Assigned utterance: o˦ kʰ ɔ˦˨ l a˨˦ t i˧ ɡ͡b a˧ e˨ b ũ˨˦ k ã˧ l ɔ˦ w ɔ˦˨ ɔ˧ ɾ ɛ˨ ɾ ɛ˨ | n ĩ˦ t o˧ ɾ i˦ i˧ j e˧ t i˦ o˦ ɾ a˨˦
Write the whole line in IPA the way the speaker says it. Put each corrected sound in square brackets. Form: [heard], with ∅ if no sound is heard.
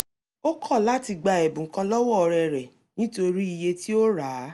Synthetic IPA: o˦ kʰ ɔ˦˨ l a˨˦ t i˧ ɡ͡b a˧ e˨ b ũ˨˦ k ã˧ l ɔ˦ w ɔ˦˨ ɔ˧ ɾ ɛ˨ ɾ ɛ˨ | n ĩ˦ t o˧ ɾ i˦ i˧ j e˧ t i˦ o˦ ɾ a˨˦